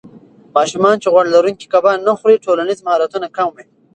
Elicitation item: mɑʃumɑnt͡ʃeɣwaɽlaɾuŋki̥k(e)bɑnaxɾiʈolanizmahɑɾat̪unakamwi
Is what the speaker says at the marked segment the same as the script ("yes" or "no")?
no